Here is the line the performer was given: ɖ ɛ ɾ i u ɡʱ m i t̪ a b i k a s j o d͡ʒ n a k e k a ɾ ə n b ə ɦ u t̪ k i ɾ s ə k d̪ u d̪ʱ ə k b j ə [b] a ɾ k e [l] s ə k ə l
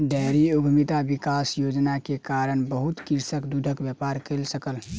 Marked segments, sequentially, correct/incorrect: incorrect: p, correct

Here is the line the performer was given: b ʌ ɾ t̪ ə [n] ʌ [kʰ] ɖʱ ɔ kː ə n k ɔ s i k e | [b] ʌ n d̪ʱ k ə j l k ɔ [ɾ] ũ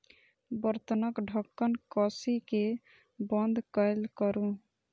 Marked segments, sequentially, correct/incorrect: correct, incorrect: k, correct, correct

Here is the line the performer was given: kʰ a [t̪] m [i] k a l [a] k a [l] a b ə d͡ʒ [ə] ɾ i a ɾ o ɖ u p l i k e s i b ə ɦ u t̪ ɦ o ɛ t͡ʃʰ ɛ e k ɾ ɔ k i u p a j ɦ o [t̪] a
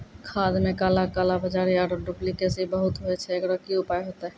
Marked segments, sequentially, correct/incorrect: incorrect: d̪, incorrect: e, correct, correct, incorrect: a, correct

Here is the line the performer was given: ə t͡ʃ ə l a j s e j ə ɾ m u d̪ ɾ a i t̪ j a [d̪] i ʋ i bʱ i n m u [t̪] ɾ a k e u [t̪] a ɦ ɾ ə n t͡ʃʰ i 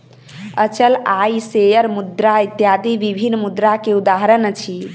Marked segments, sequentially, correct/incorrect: correct, incorrect: d̪, incorrect: d̪

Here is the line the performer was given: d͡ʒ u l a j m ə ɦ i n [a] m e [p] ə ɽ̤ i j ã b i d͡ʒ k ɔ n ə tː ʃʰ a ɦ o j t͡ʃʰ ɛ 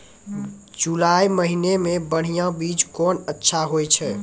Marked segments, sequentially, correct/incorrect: incorrect: e, incorrect: b

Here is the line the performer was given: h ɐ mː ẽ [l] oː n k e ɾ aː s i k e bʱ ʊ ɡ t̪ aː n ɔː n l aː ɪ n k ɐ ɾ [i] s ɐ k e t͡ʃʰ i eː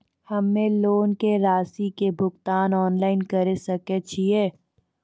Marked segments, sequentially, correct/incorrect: correct, incorrect: e

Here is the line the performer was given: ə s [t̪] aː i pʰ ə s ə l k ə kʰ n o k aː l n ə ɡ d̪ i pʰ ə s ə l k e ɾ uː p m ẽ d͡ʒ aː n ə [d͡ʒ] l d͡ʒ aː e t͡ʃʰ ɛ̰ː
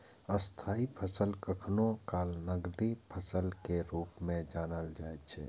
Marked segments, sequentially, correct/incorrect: incorrect: t̪ʰ, incorrect: none

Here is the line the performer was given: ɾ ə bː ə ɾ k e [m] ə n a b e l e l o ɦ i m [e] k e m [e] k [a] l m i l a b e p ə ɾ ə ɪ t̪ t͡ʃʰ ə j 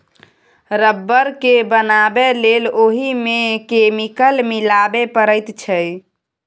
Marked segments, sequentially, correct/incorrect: incorrect: b, correct, incorrect: i, incorrect: ə

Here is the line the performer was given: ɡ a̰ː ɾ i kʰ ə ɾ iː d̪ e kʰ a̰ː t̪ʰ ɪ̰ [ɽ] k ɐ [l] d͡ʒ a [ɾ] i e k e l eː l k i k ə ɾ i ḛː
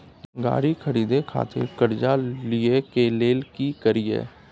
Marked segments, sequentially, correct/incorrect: incorrect: ɾ, incorrect: ɾ, incorrect: l

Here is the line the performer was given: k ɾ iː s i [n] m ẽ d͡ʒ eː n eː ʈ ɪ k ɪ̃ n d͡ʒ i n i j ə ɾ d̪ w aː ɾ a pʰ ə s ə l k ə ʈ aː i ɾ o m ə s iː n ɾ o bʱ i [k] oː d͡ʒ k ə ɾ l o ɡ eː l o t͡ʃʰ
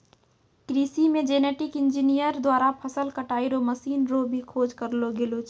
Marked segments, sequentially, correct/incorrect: incorrect: none, incorrect: kʰ

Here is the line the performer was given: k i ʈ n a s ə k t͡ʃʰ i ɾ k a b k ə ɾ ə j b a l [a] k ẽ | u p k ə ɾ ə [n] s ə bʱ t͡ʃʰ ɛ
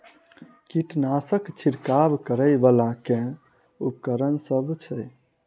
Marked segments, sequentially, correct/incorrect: correct, correct

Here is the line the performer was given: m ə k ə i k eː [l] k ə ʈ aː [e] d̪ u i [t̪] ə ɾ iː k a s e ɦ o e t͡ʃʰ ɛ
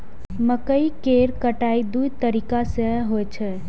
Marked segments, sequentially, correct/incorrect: incorrect: ɾ, incorrect: i, correct

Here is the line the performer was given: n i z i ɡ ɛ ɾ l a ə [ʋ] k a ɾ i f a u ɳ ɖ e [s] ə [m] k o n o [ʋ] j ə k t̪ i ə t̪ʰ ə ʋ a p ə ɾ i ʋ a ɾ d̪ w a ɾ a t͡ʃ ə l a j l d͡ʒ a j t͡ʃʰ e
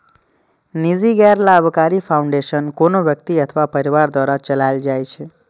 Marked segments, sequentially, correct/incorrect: correct, incorrect: ʃ, incorrect: n, correct

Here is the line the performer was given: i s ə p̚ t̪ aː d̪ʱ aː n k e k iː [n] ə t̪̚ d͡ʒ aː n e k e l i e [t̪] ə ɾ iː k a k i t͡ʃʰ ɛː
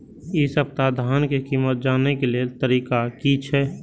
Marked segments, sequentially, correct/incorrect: incorrect: m, correct

